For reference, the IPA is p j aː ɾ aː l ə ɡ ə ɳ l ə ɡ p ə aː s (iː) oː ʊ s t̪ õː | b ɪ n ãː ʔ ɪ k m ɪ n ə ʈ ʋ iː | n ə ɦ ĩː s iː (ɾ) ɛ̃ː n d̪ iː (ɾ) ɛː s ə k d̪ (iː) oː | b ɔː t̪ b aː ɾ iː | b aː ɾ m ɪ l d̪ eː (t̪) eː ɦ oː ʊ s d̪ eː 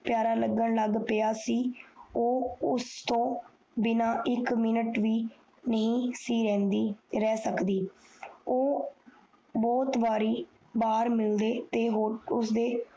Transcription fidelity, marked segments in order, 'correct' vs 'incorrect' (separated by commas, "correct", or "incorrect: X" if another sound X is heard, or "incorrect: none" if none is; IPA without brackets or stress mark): correct, correct, correct, correct, correct